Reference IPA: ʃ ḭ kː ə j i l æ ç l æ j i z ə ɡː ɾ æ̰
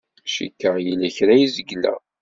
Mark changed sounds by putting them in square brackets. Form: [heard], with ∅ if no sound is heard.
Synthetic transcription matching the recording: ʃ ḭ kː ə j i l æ ç [ɾ] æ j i z ə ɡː [l] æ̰